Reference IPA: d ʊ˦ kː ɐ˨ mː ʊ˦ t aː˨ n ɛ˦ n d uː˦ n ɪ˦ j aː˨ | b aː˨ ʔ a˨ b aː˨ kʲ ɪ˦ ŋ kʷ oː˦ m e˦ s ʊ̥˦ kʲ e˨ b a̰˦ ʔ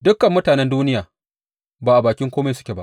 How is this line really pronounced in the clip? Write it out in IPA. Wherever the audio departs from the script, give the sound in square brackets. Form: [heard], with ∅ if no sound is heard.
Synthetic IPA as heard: d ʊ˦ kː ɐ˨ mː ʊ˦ t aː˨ n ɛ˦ n d uː˦ n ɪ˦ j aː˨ | b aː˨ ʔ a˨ b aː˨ kʲ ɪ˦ ŋ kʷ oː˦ m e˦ s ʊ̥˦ kʲ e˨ b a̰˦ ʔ